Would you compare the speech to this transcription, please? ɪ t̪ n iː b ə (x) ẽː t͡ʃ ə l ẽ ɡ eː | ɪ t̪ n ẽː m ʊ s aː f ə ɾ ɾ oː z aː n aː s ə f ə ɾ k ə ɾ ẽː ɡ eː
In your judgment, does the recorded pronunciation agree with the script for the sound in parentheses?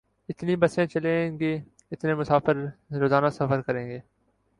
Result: no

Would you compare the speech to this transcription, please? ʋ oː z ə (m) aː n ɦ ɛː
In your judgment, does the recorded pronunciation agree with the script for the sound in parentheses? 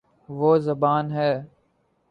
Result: no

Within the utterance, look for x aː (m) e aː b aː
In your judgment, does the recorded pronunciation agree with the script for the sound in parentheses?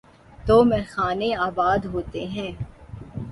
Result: no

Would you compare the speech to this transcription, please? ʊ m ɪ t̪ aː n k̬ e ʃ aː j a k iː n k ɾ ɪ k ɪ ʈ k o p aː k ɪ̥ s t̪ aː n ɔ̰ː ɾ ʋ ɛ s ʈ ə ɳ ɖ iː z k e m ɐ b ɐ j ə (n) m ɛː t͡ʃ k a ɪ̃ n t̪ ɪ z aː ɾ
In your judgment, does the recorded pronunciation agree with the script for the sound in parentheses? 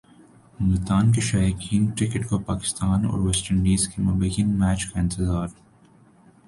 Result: yes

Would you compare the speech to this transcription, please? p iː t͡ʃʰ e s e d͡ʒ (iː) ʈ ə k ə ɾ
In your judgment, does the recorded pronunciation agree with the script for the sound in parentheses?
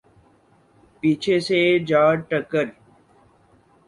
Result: no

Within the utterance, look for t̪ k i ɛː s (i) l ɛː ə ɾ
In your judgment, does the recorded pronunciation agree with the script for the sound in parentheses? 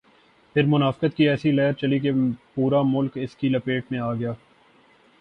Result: yes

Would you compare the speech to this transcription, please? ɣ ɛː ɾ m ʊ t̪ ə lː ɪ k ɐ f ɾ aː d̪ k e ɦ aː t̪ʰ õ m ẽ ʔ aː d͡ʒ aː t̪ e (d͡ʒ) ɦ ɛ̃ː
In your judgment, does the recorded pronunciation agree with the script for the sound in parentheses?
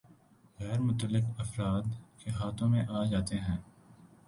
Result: no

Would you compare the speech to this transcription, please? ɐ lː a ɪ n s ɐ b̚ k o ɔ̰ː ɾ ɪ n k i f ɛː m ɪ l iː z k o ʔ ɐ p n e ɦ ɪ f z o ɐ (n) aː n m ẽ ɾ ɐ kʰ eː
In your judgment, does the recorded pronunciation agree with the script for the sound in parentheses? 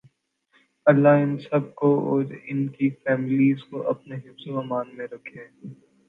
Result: no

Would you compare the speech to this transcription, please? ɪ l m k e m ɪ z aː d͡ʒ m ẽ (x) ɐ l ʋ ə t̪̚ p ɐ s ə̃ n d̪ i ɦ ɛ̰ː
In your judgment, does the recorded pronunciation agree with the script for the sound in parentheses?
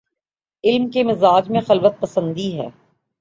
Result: yes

